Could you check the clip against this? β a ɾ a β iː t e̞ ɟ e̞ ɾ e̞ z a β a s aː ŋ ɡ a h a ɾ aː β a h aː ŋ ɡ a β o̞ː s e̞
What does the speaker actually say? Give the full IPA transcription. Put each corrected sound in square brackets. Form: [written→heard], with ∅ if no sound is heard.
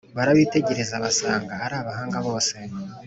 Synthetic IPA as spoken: β a ɾ a β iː t e̞ ɟ e̞ ɾ e̞ z a β a s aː ŋ ɡ a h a ɾ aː β a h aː ŋ ɡ a β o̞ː s e̞